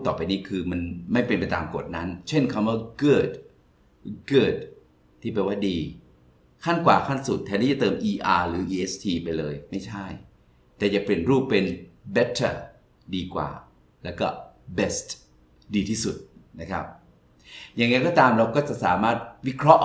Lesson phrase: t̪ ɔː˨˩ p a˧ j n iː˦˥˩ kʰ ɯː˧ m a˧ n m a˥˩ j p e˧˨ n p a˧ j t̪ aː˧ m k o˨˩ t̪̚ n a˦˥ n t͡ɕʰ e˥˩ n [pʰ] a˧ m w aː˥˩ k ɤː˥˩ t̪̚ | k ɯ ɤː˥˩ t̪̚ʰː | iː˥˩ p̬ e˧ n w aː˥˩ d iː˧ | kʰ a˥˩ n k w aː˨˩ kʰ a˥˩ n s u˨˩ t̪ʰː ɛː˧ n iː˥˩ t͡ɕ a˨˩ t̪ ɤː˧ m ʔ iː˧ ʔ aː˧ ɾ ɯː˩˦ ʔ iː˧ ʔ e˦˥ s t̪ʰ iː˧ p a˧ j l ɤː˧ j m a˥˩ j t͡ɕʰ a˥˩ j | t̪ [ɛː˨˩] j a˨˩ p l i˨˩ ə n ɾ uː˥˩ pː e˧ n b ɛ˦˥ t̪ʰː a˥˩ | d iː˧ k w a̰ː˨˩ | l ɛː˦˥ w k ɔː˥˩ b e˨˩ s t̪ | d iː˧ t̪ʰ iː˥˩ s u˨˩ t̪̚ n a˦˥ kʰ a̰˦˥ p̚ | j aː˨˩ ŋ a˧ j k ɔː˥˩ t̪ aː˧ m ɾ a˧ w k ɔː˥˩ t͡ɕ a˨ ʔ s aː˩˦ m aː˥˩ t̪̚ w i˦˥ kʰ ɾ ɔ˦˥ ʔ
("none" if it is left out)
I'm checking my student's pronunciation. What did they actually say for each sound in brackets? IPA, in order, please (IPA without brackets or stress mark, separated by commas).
kʰ, ɛː˨˩